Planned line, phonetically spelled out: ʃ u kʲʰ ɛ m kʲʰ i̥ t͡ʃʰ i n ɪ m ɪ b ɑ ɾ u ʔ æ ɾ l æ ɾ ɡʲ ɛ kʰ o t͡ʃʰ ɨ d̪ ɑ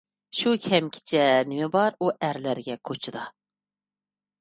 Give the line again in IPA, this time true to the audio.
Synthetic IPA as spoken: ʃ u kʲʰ ɛ m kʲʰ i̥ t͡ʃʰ ɛ n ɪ m ɪ b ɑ ɾ u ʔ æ ɾ l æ ɾ ɡʲ ɛ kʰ o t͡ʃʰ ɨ d̪ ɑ